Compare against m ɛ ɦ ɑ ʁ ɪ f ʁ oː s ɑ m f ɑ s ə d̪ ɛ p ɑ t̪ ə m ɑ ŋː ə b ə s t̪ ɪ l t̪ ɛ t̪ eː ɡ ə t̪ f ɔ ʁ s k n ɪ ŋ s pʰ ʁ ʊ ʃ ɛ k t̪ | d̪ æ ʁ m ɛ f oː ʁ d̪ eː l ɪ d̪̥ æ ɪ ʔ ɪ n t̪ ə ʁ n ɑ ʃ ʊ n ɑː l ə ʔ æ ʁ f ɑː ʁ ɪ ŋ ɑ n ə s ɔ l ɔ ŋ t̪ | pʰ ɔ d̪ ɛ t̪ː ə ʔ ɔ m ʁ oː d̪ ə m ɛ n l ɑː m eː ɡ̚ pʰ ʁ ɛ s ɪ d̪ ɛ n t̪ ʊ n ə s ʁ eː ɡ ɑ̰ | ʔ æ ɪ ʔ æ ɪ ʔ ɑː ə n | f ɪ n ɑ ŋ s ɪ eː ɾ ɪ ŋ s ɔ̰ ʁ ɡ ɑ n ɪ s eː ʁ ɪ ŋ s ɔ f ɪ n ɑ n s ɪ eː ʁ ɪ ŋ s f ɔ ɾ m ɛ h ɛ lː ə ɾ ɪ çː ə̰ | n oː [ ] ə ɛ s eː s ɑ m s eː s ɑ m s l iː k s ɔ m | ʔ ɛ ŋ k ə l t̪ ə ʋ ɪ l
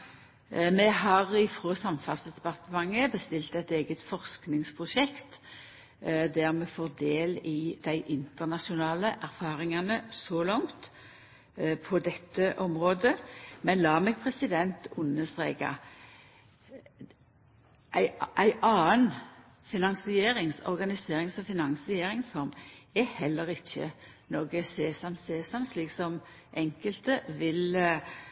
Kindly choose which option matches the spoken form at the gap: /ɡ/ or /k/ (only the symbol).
ɡ